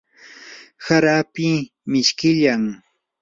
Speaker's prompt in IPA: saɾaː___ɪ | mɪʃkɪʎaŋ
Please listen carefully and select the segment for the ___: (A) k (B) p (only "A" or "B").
B